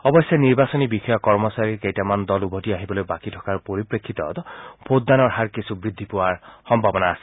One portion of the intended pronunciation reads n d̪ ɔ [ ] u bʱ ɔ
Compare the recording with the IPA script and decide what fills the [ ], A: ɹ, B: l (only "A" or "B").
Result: B